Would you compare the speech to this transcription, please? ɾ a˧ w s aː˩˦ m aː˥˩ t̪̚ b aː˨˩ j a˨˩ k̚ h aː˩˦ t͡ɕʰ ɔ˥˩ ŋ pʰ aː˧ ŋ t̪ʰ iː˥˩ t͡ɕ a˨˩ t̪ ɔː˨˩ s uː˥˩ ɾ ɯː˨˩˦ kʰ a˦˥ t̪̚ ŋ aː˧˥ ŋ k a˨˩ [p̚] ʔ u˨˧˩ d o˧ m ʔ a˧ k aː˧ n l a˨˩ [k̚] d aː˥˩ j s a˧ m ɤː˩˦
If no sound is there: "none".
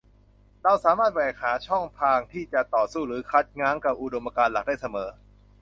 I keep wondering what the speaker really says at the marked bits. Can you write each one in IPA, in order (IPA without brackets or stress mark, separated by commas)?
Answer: p̚, k̚